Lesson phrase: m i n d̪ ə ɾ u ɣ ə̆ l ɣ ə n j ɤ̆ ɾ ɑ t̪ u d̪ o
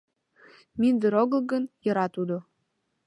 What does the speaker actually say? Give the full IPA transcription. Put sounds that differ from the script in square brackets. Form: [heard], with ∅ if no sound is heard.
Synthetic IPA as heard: m i n d̪ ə ɾ [o] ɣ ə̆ l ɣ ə n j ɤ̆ ɾ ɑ t̪ u d̪ o

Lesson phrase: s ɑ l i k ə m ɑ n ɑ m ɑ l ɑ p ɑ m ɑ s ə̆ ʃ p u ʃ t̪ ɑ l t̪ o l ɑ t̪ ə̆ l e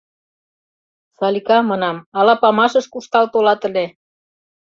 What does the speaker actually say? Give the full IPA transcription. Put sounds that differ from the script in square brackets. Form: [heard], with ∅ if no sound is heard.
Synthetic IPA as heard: s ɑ l i k [ɑ] m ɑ n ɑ m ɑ l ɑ p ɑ m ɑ [ʃ] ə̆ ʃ [k] u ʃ t̪ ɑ l t̪ o l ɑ t̪ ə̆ l e

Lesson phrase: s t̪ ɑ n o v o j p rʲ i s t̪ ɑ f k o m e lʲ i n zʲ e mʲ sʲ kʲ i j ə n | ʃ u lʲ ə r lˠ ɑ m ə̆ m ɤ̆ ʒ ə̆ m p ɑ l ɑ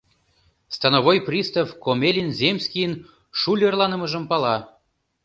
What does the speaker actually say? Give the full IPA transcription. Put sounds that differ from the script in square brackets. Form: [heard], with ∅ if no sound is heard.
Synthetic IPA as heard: s t̪ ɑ n o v o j p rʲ i s t̪ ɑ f k o m e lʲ i n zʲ e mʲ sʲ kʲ i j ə n | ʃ u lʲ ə r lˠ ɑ [n] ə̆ m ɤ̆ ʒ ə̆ m p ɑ l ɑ

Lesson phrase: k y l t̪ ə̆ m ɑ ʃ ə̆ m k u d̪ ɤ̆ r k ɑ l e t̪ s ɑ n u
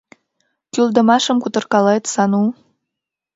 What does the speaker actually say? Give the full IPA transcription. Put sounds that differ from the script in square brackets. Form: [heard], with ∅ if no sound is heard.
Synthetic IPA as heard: k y l [d̪] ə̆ m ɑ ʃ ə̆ m k u [t̪] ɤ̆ r k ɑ l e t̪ s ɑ n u

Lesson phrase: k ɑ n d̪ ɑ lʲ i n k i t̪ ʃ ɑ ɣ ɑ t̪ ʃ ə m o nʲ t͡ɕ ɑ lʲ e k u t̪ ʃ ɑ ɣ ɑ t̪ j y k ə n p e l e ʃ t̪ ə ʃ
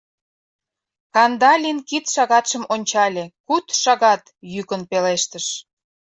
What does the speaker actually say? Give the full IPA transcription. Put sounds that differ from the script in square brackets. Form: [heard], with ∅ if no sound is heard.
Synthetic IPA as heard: k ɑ n d̪ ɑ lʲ i n k i t̪ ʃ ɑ ɣ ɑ t̪ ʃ ə m o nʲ t͡ɕ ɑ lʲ e k u t̪ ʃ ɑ ɣ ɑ t̪ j y k ə n p e l e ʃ t̪ ə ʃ

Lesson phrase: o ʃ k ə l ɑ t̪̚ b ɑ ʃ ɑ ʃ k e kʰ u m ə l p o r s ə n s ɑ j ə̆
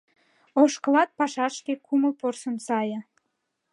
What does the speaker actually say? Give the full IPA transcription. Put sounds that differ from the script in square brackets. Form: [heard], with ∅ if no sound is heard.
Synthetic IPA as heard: o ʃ k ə l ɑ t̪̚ [p] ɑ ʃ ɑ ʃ k e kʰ u m ə l p o r s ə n s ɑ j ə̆

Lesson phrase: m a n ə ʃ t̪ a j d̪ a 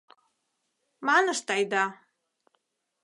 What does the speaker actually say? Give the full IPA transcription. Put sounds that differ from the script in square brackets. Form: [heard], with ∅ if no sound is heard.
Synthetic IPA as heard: m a n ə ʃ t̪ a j d̪ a

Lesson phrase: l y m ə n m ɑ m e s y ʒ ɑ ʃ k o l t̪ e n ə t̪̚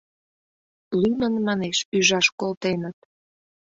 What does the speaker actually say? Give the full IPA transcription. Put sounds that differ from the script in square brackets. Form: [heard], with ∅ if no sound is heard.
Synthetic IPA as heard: l y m ə n m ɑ [n] e [ʃ] y ʒ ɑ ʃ k o l t̪ e n ə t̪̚

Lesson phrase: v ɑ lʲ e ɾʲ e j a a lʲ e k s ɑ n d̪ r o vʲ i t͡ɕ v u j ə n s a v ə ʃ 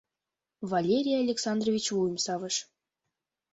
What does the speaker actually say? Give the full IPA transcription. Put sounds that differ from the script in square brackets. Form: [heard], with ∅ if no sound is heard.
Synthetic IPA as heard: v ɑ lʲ e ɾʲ [i] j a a lʲ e k s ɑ n d̪ r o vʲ i t͡ɕ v u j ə [m] s [ɑ] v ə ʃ

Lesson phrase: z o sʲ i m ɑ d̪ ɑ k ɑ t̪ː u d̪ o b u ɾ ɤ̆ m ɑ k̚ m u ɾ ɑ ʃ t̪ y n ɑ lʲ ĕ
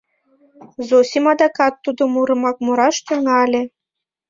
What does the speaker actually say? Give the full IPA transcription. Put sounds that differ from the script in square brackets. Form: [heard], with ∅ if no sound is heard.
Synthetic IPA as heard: z o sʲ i m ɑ d̪ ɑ k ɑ t̪ː u d̪ o [m] u ɾ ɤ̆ m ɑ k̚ m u ɾ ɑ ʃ t̪ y [ŋ] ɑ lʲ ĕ

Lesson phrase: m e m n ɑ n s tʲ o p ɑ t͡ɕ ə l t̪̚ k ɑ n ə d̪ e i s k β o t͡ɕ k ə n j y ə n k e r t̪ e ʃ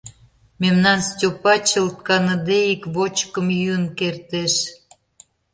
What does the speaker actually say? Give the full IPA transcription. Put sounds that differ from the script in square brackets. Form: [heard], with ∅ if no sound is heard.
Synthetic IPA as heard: m e m n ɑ n s tʲ o p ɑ t͡ɕ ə l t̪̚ k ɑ n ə d̪ e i [∅] k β o t͡ɕ k ə [m] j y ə n k e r t̪ e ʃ

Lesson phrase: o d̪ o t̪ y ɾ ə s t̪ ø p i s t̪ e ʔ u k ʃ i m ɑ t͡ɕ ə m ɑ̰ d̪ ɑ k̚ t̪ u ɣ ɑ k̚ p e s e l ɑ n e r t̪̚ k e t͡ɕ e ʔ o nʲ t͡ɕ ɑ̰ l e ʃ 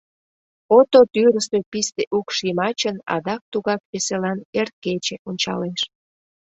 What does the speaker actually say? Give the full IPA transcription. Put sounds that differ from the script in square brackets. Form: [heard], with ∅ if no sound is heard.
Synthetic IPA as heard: o [t̪] o t̪ y ɾ ə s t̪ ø p i s t̪ e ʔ u k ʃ i m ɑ t͡ɕ ə [n] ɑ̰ d̪ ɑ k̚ t̪ u ɣ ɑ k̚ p e s e l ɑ n e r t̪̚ k e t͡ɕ e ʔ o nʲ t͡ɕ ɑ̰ l e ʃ

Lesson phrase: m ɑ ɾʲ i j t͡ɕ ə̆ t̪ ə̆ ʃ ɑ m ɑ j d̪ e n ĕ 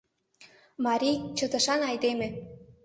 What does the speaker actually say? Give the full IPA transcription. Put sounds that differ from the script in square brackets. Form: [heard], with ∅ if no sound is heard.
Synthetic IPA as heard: m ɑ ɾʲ i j t͡ɕ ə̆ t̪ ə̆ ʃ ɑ [n] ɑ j d̪ e [m] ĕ

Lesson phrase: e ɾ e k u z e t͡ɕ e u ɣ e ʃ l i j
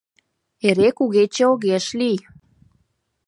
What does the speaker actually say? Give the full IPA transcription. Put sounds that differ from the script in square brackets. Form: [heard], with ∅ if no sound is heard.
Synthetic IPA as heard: e ɾ e k u [ɣ] e t͡ɕ e [o] ɣ e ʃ l i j

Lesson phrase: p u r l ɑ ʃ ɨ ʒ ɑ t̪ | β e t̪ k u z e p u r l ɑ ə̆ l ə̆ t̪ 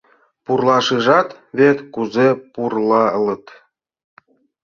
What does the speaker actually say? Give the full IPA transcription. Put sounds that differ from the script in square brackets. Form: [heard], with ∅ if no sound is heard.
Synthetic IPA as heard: p u r l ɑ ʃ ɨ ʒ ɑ t̪ | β e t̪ k u z e p u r l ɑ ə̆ l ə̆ t̪

